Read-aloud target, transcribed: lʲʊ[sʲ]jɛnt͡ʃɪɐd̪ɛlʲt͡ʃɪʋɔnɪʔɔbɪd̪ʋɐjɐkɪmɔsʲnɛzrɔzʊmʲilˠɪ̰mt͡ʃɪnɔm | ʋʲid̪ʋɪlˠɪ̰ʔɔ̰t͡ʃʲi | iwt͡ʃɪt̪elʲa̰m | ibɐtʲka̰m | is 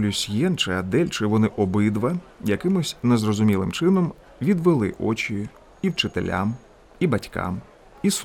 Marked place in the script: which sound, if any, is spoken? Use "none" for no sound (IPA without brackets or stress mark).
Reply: sʲ